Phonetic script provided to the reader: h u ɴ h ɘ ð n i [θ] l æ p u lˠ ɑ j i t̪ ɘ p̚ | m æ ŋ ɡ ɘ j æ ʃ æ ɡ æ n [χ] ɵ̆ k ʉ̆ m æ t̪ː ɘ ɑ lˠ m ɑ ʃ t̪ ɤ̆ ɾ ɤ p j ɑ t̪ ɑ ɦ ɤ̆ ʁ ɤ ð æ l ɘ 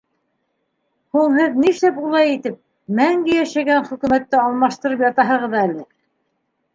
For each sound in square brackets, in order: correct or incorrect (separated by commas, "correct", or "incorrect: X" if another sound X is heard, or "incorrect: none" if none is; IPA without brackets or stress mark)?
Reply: incorrect: ʃ, correct